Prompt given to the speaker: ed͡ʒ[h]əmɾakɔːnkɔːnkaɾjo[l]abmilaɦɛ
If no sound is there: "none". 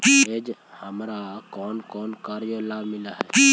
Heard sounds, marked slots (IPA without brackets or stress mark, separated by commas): h, l